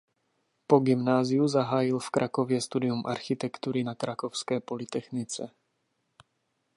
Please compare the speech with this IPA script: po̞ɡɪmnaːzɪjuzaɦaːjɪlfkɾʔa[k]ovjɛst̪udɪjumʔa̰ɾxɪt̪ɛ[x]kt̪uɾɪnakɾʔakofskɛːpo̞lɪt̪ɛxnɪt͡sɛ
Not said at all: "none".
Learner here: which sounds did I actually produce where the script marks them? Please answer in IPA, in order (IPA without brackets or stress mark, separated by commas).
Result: k, none